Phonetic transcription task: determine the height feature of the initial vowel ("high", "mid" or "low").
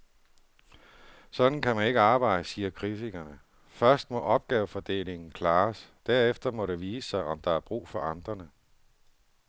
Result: low